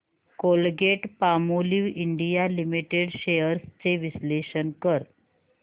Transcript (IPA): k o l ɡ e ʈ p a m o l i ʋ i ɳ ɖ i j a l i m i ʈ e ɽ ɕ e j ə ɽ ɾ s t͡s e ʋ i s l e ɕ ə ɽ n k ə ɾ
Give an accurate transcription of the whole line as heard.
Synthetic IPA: k o l ɡ e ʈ p a m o l i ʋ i ɳ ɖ i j a l i m i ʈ e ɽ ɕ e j ə ɾ s t͡s e ʋ i s l e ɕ ə n k ə ɾ